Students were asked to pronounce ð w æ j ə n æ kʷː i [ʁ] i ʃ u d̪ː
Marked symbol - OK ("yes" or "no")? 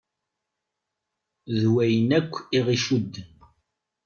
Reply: yes